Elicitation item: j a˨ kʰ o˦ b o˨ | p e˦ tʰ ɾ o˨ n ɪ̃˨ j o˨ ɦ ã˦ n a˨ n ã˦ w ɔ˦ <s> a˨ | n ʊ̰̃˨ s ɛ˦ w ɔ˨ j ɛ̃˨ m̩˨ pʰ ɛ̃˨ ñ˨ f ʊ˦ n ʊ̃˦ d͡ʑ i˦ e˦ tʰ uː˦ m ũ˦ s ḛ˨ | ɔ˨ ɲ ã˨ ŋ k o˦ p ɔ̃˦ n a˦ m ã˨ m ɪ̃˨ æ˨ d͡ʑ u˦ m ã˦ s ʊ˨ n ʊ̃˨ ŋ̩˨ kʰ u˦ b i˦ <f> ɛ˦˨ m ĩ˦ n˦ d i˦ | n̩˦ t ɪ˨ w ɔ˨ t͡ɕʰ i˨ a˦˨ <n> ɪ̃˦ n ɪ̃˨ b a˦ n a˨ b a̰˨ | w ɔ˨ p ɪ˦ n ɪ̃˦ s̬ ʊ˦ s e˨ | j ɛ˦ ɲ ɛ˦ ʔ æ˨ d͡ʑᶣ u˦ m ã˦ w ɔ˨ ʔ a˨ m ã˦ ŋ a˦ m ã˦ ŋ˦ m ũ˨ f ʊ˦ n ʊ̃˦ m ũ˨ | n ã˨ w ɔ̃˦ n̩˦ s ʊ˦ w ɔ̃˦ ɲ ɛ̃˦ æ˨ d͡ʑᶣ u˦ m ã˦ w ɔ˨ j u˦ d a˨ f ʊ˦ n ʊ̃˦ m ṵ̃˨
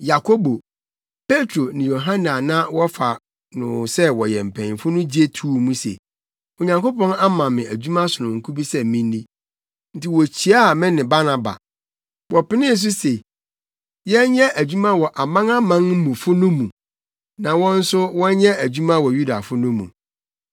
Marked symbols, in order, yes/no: no, no, no

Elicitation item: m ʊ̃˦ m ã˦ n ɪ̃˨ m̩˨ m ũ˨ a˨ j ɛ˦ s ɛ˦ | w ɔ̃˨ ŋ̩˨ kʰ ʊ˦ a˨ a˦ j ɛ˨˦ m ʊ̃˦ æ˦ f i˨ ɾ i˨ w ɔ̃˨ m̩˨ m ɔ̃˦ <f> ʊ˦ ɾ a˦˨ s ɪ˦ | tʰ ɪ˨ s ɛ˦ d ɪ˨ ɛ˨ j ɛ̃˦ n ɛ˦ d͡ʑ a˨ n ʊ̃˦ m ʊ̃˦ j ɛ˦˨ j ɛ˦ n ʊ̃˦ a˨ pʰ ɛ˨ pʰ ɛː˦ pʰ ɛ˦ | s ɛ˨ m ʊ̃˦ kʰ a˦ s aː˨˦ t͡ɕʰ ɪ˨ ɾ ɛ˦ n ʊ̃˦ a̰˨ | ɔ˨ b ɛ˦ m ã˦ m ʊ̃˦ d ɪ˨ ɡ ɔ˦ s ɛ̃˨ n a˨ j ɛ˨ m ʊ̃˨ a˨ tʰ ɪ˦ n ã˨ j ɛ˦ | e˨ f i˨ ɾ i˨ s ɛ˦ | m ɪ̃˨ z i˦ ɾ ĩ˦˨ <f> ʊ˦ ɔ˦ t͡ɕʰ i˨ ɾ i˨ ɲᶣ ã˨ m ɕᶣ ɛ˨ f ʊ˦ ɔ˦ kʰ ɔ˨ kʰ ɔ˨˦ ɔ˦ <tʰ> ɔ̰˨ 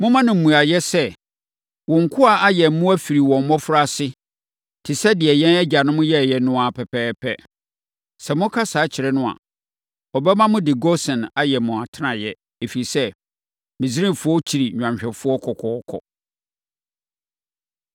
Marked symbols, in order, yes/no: yes, yes, no

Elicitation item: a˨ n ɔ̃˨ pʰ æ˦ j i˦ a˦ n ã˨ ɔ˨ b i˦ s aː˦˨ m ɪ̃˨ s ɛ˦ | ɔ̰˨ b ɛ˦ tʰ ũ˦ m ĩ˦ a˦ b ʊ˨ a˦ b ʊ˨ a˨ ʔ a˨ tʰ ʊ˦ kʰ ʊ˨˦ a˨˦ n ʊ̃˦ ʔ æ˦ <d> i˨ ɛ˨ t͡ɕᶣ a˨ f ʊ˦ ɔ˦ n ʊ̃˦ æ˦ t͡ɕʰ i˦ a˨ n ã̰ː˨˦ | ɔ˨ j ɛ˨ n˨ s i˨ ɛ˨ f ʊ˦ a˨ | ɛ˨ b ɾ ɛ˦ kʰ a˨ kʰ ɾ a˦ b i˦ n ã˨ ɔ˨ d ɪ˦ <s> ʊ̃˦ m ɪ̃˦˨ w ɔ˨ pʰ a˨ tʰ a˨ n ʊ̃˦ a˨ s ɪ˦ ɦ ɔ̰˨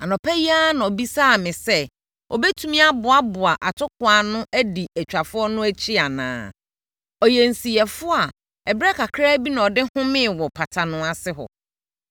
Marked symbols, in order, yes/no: yes, no

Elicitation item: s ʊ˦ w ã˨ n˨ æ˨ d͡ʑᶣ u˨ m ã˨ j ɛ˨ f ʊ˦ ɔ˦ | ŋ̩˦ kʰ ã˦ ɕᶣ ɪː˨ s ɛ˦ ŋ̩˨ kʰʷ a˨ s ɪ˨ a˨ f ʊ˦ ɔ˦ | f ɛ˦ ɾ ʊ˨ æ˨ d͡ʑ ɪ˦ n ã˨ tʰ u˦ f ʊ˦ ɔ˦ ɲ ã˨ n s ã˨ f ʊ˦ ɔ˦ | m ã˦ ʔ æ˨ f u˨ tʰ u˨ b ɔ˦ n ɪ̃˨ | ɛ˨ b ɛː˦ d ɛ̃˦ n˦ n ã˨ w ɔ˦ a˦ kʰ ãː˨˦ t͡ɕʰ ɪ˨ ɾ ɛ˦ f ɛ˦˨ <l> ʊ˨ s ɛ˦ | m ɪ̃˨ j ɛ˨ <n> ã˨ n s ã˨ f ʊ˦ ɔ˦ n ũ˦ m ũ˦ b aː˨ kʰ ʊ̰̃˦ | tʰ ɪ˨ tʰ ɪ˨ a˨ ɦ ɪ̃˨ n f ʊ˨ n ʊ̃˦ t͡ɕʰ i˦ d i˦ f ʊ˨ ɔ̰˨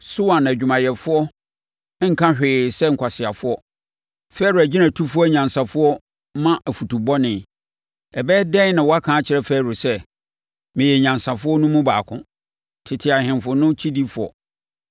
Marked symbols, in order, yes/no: no, no

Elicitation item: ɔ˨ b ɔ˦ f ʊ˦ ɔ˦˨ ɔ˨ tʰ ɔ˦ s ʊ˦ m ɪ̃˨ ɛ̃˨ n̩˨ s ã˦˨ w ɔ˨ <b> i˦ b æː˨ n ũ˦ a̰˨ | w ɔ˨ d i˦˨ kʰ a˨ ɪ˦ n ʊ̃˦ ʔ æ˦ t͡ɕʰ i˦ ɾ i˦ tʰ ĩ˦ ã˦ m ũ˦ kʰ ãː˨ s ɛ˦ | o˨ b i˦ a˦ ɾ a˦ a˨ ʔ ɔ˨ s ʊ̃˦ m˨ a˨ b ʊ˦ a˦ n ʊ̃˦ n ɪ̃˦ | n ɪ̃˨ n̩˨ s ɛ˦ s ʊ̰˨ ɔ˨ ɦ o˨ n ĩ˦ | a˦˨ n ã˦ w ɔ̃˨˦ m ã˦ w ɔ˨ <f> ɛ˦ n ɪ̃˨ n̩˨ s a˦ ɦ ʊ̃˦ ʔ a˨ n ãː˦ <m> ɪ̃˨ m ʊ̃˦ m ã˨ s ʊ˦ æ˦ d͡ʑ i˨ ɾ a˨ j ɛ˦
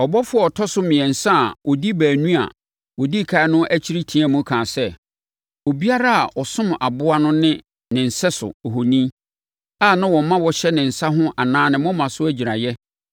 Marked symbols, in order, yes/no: no, no, no

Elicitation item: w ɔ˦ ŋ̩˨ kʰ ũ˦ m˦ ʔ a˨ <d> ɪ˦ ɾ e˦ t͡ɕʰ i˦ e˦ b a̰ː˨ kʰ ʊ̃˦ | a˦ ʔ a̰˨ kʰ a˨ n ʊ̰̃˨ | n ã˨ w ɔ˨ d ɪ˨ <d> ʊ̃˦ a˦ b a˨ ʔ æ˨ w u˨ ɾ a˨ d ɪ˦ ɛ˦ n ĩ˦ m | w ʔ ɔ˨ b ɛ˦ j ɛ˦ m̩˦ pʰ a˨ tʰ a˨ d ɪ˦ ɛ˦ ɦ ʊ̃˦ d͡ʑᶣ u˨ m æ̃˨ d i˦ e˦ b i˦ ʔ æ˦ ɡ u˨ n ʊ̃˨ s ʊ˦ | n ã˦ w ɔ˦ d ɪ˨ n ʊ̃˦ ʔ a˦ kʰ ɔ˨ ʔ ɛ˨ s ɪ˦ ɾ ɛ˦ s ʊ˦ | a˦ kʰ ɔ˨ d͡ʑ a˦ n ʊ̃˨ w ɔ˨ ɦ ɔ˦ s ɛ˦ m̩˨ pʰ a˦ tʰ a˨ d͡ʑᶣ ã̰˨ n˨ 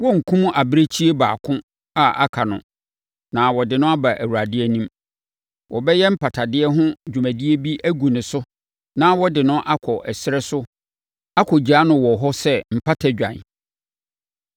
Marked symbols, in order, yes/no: no, no

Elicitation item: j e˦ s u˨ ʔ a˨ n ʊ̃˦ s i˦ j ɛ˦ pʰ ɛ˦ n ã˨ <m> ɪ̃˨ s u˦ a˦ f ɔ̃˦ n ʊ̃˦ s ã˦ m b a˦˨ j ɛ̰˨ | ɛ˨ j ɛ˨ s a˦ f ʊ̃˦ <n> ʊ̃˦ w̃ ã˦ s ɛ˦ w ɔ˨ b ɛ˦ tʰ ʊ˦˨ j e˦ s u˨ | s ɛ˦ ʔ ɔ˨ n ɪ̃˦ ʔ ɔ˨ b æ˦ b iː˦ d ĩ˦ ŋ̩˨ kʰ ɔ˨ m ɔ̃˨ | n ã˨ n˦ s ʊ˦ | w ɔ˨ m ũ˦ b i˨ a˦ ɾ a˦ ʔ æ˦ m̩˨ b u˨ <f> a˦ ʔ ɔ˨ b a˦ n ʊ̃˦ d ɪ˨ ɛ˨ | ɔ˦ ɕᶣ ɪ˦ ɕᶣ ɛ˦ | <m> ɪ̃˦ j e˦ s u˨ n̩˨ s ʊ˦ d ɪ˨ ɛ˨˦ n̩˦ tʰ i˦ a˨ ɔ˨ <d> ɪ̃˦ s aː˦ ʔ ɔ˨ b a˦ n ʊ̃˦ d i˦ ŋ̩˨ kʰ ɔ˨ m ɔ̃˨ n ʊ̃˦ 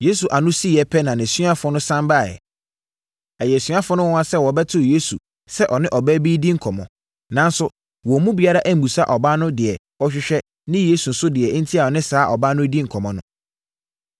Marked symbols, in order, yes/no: no, yes, no, no, no

